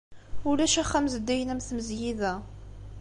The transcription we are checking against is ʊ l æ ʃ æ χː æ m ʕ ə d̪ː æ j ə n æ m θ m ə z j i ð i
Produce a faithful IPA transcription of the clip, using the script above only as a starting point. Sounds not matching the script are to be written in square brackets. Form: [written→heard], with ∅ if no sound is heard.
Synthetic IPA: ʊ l æ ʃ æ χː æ m [ʕ→z] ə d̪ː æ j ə n æ m θ m ə z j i ð [i→æ]

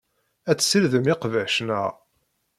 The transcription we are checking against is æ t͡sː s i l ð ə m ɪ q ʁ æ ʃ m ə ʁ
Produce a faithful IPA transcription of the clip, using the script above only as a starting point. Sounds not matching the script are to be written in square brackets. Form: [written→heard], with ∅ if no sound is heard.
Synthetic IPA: æ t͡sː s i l ð ə m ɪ q [ʁ→v] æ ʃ [m→n] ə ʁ

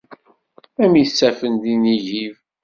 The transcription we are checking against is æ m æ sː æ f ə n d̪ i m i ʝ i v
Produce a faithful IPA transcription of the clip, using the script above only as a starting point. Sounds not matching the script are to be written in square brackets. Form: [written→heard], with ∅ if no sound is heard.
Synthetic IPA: æ m [æ→i] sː æ f ə n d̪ i [m→n] i ʝ i v

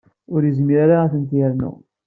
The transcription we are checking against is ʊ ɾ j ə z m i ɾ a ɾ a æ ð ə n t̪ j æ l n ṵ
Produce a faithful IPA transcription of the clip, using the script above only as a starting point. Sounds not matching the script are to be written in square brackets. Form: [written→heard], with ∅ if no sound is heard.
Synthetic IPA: ʊ ɾ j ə z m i ɾ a ɾ a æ [ð→θ] ə n t̪ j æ [l→ɾ] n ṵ

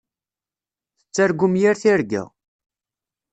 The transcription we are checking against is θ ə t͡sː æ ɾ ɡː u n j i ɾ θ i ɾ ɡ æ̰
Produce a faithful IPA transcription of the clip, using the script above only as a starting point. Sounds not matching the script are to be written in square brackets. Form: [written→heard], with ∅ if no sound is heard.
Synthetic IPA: θ ə t͡sː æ ɾ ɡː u [n→m] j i ɾ θ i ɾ ɡ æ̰

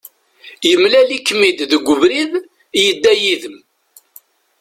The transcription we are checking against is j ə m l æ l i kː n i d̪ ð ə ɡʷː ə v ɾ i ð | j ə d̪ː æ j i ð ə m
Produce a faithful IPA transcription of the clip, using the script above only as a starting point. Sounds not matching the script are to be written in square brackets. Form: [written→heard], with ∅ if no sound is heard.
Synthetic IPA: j ə m l æ l i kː [n→m] i d̪ ð ə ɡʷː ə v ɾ i ð | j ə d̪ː æ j i ð ə m

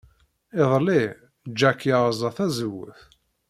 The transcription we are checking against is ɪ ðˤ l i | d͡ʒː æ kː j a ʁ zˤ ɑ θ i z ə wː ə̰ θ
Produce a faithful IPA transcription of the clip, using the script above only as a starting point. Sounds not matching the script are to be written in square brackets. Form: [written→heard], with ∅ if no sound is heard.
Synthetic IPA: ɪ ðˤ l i | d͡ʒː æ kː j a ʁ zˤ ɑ θ [i→æ] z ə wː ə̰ θ

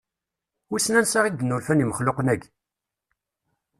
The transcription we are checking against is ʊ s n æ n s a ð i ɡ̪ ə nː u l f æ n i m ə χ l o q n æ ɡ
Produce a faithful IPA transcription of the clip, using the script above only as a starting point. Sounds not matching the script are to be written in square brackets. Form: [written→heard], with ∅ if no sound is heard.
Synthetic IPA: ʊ s n æ n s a [ð→ʁ] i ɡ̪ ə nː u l f æ n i m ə χ l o q n æ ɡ

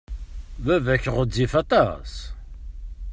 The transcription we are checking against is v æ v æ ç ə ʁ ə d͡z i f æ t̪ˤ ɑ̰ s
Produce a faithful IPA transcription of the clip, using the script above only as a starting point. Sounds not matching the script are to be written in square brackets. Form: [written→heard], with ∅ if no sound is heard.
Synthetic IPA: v æ v æ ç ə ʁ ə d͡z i f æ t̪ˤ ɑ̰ s

